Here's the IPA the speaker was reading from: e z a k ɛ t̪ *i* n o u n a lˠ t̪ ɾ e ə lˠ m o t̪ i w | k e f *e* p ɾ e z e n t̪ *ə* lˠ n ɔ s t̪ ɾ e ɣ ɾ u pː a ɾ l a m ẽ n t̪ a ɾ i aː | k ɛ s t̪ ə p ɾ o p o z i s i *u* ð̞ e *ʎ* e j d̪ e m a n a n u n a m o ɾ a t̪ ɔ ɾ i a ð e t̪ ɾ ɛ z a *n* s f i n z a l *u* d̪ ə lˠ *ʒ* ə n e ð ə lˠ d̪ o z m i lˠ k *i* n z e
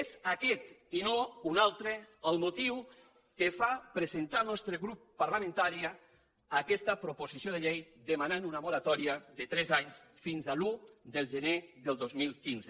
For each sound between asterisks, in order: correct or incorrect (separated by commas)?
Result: correct, incorrect, incorrect, incorrect, correct, incorrect, correct, correct, correct